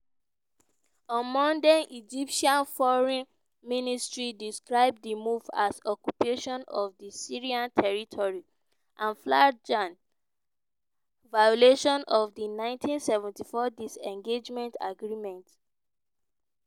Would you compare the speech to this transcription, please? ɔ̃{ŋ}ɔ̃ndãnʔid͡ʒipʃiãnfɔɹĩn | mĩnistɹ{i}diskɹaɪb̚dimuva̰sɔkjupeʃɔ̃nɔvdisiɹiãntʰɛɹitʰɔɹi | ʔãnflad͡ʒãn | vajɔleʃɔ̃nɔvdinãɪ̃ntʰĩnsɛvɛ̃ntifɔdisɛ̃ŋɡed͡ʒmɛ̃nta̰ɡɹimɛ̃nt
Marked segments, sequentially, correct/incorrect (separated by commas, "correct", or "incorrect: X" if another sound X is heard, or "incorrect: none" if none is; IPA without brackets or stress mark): incorrect: m, correct